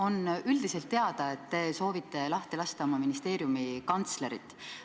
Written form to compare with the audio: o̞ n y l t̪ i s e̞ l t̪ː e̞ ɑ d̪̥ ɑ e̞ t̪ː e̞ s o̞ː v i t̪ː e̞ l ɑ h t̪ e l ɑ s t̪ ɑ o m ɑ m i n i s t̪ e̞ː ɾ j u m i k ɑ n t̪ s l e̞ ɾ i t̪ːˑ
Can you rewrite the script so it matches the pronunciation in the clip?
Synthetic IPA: o̞ n y l d̪ i s e̞ l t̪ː e̞ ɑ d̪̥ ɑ e̞ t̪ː e̞ s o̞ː v i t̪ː e̞ l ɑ h t̪ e l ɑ s t̪ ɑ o m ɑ m i n i s t̪ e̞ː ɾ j u m i k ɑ n t̪ s l e̞ ɾ i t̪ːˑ